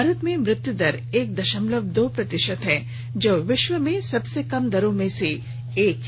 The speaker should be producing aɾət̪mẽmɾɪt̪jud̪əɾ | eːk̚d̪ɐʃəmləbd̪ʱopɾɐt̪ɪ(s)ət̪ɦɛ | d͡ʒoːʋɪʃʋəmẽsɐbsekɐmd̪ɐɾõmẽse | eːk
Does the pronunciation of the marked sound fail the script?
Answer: yes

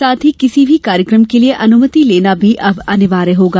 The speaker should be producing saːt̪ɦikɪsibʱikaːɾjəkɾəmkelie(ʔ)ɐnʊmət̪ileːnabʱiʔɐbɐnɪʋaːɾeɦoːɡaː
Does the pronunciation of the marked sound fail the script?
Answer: no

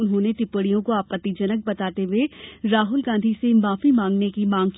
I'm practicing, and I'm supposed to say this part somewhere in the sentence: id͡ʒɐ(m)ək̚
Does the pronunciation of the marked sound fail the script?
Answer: yes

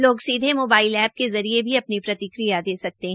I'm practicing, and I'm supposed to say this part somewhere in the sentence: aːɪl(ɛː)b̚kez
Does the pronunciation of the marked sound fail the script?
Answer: no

